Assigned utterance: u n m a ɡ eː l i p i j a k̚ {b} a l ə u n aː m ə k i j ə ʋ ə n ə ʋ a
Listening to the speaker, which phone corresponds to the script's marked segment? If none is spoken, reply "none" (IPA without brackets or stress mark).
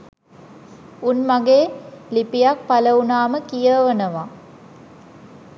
p